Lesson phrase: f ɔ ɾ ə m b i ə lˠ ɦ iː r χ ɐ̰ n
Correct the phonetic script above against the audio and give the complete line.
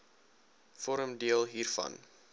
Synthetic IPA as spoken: f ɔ ɾ ə m d i ə lˠ ɦ iː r f ɐ̰ n